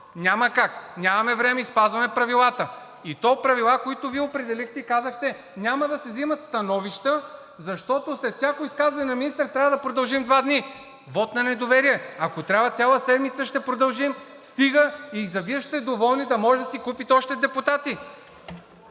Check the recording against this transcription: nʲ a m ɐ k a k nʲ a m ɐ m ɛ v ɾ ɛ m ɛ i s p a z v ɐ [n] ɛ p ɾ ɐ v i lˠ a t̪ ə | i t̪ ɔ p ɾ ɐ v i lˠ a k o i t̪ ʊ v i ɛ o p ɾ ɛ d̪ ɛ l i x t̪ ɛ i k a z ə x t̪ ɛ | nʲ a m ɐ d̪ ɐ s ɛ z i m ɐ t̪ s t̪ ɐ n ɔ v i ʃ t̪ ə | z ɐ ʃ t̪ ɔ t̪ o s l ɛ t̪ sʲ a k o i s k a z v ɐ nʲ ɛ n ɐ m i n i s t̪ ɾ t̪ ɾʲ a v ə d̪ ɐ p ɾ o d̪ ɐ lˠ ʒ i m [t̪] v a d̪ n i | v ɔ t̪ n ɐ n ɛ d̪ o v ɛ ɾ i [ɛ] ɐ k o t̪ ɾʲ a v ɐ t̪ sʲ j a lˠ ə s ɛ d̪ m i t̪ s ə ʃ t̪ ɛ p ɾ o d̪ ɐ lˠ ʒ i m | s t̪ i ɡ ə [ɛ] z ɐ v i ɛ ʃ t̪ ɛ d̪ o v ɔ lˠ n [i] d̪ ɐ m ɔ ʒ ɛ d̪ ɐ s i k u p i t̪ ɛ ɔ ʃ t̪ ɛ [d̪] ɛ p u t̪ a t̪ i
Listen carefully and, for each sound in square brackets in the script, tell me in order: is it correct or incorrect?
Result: incorrect, incorrect, correct, incorrect, correct, correct

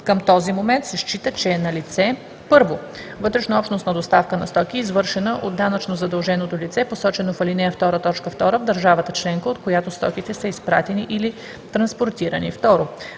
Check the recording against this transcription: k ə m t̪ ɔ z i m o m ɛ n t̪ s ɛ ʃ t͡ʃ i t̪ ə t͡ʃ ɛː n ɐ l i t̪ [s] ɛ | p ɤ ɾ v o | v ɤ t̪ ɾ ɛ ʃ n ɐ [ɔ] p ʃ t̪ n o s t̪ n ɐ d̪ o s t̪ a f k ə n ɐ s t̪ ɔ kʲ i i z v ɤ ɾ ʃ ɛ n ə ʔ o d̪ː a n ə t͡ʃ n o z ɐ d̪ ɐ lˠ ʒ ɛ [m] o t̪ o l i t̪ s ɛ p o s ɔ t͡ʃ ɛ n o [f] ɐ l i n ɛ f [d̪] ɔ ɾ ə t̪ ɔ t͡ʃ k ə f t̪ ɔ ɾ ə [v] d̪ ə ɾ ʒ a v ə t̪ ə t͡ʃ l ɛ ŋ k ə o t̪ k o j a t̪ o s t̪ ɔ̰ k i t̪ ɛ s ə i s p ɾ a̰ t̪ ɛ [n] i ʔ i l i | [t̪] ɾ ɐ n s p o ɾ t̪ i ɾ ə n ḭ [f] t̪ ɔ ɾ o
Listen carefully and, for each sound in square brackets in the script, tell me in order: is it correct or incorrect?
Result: correct, correct, incorrect, correct, incorrect, correct, correct, correct, correct

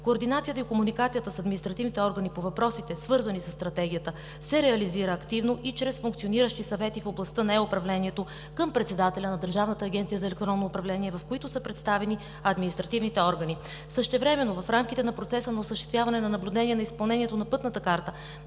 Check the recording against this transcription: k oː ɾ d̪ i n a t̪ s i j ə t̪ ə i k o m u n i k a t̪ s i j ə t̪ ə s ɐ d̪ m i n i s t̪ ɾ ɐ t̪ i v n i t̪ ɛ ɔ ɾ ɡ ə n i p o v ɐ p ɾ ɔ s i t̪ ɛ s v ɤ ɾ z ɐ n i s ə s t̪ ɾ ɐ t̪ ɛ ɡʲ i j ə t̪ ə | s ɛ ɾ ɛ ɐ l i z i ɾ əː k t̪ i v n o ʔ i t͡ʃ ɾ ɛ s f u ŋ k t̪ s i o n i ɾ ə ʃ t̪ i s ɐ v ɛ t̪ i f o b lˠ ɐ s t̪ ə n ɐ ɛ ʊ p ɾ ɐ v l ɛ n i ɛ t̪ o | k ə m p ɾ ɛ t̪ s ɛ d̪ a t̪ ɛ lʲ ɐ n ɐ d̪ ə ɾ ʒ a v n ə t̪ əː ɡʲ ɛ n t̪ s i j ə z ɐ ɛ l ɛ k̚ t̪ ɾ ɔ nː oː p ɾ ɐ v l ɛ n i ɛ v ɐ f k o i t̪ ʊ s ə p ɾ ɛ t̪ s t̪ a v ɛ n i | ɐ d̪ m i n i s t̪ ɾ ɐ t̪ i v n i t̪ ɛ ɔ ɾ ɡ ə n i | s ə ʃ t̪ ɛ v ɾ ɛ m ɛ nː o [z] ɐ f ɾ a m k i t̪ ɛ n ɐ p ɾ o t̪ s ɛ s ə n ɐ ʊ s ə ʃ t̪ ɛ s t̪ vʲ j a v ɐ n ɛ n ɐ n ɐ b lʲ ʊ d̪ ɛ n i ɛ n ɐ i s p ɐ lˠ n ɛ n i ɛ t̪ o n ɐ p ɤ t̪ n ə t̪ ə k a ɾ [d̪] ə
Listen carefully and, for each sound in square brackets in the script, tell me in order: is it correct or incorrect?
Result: incorrect, incorrect

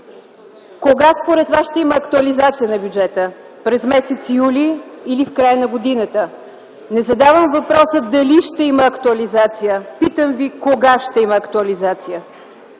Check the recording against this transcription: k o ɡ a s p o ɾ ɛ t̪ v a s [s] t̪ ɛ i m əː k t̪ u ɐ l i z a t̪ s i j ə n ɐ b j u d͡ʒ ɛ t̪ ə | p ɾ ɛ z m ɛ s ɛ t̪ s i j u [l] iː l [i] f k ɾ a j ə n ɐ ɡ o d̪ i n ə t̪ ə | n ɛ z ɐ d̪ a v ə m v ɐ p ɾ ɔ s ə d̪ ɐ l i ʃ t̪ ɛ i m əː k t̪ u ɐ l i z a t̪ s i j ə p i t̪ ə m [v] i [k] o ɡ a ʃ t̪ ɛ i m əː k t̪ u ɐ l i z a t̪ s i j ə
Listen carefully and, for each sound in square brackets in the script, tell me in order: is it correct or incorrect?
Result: incorrect, correct, correct, correct, correct

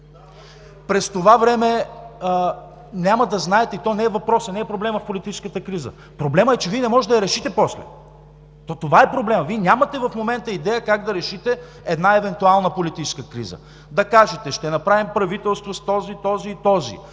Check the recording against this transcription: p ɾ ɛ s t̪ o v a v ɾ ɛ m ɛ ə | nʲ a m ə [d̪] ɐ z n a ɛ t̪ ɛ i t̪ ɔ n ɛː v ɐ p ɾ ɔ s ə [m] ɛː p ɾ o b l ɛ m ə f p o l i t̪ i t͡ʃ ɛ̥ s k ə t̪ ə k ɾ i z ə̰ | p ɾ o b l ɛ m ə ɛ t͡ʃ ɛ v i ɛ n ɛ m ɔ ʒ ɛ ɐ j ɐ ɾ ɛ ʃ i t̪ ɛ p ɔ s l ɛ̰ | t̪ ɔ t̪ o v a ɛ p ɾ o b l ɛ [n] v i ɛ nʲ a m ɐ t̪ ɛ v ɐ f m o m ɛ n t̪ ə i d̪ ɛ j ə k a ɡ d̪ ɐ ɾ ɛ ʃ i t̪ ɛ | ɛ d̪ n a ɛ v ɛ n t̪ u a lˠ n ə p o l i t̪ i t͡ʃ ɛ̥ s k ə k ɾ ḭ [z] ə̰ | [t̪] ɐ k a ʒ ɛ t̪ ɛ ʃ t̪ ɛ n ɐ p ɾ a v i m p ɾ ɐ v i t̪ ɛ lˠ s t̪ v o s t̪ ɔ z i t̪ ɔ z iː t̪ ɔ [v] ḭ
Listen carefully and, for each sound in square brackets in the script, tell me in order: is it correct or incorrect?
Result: correct, incorrect, incorrect, correct, incorrect, incorrect

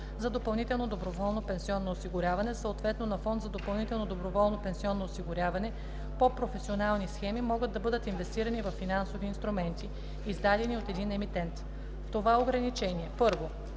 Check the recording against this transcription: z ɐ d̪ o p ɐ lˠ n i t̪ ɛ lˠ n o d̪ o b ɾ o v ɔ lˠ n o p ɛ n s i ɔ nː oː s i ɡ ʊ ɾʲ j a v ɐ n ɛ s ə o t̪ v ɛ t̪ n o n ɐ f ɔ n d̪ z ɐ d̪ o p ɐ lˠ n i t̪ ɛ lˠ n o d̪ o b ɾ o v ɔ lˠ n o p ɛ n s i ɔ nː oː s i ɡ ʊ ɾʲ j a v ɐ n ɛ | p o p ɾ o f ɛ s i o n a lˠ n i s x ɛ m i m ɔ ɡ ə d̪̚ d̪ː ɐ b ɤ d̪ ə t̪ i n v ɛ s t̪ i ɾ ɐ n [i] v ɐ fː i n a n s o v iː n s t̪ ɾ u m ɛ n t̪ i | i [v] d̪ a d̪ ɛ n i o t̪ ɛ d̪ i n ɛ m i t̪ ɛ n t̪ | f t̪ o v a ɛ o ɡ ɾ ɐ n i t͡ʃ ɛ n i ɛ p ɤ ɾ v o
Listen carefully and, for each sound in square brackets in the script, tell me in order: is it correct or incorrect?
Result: correct, incorrect

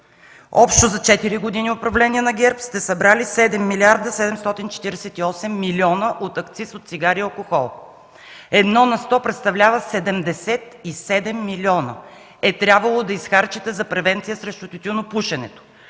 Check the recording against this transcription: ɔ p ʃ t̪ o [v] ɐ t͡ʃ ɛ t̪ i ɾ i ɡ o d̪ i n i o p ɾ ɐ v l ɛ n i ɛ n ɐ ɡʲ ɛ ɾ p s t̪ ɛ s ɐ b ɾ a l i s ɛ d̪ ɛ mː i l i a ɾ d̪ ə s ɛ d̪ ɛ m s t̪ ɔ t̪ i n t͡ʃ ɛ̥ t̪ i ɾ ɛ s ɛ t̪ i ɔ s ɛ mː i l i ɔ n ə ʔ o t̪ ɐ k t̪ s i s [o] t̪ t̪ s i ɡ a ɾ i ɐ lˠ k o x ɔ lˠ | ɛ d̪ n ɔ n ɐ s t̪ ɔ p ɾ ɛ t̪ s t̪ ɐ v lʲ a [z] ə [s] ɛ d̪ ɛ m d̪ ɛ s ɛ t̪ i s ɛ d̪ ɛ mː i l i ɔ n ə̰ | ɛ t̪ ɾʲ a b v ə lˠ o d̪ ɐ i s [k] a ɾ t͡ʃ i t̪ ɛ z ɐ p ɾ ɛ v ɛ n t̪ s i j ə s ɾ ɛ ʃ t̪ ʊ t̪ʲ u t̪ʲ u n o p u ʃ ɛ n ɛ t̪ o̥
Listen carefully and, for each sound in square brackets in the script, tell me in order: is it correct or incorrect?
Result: incorrect, correct, incorrect, correct, incorrect

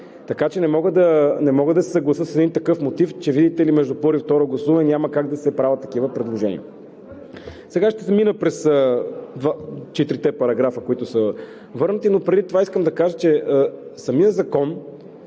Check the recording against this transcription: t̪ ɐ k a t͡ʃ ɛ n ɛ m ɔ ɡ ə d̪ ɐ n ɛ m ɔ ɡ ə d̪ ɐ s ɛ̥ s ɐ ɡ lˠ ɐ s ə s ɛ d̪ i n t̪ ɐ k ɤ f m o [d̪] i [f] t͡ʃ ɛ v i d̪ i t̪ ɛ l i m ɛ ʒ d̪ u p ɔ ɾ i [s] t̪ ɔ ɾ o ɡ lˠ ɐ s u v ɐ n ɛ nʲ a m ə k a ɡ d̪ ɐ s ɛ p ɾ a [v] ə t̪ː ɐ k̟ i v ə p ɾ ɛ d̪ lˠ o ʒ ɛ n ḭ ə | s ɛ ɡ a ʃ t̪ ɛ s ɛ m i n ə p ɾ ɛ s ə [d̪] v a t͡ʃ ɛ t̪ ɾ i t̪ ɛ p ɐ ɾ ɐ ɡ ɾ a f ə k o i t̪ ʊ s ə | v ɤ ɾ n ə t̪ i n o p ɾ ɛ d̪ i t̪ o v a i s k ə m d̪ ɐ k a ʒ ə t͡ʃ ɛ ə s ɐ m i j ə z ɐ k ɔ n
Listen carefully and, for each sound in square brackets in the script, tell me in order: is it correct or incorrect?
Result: incorrect, correct, incorrect, correct, correct

